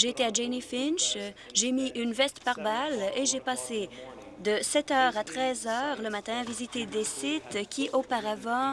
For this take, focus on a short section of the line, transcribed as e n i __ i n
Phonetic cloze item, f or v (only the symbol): f